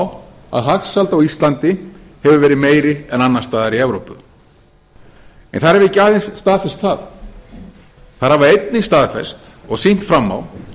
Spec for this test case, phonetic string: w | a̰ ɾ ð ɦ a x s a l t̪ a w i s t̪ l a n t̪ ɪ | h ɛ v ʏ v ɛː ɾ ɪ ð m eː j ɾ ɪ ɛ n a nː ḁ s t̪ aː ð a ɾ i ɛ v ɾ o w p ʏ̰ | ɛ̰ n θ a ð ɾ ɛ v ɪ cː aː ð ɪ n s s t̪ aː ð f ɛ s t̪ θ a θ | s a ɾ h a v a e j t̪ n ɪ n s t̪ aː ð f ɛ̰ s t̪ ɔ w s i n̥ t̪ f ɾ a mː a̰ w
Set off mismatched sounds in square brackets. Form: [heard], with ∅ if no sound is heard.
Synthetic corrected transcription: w | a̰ [∅] ð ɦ a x s a l t̪ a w i s t̪ l a n t̪ ɪ | h ɛ v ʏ v ɛː ɾ ɪ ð m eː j ɾ ɪ ɛ n a nː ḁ s t̪ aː ð a ɾ i ɛ v ɾ o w p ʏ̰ | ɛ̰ n θ a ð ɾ ɛ v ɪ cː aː ð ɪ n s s t̪ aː ð f ɛ s t̪ θ a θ | [θ] a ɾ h a v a e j t̪ n ɪ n s t̪ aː ð f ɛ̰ s t̪ ɔ [ɣ] s i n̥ t̪ f ɾ a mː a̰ w